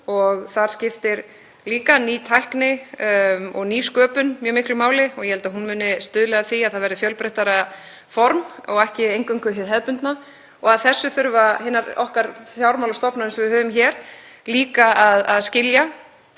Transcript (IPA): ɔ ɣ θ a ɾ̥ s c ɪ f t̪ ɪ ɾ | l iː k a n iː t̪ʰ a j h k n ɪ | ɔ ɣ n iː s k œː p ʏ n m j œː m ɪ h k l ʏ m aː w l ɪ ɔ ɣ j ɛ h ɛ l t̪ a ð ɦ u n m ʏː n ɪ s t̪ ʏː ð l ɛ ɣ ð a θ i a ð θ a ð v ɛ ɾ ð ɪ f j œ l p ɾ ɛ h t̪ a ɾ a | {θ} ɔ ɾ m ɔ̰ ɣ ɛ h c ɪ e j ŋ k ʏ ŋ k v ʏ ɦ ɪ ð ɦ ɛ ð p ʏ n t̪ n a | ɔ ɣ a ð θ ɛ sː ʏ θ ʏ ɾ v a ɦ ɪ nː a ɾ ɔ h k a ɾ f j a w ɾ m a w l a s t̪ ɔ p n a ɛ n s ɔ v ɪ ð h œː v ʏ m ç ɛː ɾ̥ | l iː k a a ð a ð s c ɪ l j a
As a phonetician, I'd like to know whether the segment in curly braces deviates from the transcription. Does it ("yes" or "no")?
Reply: yes